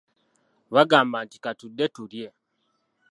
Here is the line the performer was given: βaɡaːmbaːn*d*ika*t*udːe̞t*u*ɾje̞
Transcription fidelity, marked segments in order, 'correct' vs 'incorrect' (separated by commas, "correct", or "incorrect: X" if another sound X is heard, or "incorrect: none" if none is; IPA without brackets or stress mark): incorrect: t, correct, correct